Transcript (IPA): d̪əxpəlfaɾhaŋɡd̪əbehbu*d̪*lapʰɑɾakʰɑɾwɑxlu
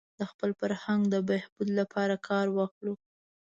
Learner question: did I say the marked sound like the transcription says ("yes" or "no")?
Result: yes